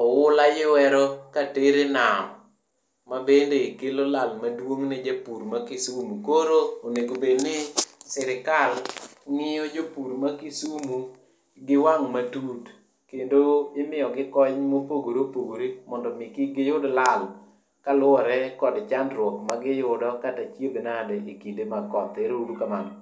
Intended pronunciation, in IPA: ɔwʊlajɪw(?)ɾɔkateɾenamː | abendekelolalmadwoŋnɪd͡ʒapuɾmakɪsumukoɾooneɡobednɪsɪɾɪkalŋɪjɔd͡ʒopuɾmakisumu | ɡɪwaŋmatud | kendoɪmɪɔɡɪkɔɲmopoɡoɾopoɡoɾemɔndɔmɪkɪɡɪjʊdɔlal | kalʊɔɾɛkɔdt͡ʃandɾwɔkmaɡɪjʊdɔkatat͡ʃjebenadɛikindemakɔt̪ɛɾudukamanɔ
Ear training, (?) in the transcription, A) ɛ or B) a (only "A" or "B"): A